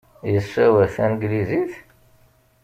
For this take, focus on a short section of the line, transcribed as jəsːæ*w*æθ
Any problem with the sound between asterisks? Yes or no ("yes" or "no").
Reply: no